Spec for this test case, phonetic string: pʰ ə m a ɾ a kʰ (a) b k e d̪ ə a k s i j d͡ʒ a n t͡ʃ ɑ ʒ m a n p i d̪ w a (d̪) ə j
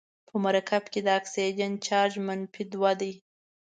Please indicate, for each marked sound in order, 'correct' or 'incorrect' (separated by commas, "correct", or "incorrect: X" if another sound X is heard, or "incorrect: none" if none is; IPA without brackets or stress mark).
correct, correct